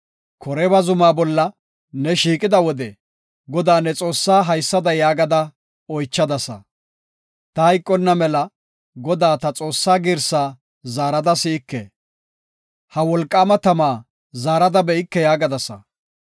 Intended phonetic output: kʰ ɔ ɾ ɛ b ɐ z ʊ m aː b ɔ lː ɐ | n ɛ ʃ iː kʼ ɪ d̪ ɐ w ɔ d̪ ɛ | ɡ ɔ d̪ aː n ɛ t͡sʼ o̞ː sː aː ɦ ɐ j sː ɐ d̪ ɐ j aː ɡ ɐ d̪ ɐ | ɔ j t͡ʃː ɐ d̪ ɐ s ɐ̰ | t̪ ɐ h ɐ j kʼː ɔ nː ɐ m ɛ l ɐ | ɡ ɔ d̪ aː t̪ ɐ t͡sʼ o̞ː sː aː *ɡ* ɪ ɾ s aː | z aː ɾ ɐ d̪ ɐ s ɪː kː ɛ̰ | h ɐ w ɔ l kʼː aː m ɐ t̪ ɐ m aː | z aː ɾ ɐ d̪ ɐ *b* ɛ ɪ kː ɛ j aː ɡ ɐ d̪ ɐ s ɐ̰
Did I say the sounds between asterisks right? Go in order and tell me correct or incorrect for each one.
correct, correct

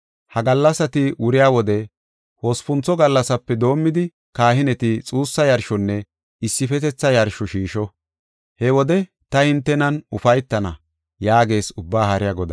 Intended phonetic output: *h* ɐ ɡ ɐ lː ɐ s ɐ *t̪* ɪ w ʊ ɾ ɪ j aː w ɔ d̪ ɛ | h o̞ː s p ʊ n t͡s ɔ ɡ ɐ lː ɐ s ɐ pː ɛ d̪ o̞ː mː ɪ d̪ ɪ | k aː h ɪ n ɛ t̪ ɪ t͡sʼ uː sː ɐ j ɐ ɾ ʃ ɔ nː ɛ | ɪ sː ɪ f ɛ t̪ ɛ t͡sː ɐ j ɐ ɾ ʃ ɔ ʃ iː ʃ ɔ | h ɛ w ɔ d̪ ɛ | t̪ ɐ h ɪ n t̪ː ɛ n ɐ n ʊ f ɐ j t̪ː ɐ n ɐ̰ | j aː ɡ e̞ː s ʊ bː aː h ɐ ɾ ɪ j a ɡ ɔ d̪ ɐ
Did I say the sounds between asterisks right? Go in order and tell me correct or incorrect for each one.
correct, correct

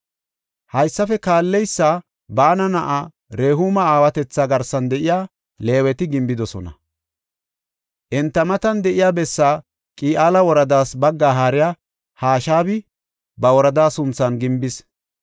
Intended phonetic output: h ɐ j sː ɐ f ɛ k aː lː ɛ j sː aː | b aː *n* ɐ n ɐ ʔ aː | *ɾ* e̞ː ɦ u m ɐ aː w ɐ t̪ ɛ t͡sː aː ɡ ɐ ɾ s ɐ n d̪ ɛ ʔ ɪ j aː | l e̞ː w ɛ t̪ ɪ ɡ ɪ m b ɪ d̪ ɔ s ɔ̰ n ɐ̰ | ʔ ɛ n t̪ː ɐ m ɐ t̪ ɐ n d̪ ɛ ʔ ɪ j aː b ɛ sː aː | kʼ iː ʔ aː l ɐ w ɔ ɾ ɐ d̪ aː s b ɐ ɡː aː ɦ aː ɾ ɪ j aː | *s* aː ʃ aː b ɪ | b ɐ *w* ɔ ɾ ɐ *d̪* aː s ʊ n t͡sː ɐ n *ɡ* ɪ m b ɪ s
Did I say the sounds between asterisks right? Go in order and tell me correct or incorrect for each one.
correct, correct, incorrect, correct, correct, correct

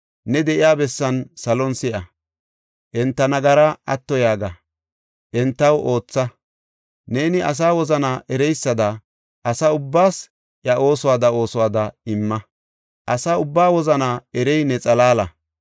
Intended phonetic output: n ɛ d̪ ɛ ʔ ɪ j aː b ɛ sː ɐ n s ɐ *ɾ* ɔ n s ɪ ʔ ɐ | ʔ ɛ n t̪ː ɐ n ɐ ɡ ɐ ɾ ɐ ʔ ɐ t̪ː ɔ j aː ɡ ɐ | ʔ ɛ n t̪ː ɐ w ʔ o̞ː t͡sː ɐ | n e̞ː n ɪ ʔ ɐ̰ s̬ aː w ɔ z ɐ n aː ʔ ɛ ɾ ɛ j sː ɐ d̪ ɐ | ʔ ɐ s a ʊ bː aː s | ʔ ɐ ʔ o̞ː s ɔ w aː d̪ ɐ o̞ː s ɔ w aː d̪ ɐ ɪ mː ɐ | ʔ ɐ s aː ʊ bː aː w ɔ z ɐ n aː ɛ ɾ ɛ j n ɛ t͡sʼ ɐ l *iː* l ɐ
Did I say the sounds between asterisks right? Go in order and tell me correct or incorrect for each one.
incorrect, incorrect

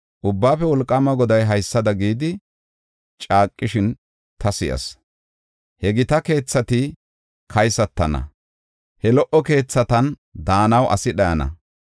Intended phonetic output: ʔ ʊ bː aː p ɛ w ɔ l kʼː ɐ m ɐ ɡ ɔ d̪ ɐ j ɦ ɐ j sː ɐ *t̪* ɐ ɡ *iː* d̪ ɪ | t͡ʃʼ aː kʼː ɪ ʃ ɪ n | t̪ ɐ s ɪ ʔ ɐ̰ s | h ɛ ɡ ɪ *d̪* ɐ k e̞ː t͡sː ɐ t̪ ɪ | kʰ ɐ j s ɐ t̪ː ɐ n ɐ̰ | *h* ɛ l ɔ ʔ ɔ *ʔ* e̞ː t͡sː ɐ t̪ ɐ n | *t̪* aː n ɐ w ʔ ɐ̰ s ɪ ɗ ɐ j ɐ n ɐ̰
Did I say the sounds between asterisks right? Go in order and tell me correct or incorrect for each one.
incorrect, correct, incorrect, correct, incorrect, incorrect

